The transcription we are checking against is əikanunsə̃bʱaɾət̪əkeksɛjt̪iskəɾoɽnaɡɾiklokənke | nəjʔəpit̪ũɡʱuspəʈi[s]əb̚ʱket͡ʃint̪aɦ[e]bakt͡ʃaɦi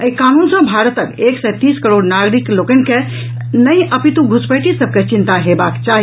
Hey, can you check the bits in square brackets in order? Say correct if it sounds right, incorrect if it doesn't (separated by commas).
correct, correct